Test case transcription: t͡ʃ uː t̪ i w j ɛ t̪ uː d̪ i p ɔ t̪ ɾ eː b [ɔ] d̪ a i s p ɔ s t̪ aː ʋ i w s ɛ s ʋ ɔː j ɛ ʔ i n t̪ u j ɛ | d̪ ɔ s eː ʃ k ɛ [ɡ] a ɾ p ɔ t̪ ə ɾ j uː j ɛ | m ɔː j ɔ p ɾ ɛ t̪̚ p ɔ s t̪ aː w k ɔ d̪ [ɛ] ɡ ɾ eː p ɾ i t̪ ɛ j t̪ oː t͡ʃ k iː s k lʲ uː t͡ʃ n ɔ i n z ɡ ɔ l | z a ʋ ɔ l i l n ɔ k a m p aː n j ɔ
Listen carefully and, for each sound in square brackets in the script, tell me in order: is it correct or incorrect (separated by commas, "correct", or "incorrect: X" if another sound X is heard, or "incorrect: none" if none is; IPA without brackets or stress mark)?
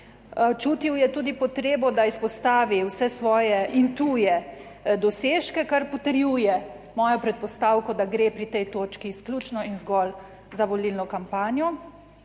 correct, incorrect: k, incorrect: a